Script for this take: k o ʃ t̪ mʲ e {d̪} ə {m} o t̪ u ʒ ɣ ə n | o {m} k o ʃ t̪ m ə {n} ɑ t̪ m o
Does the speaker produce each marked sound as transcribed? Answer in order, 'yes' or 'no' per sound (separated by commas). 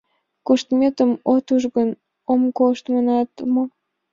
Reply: no, yes, yes, yes